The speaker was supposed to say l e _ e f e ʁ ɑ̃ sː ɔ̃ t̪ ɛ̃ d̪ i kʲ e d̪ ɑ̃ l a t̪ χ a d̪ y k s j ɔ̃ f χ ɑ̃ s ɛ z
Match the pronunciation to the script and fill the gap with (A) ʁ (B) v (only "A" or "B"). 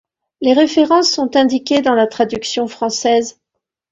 A